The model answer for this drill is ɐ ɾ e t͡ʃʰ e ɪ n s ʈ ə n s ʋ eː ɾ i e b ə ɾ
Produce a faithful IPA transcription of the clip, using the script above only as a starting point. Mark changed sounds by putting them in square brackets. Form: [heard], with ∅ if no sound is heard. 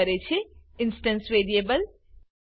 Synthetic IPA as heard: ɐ ɾ e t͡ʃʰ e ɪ n s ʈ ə n s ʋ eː ɾ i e b ə [l]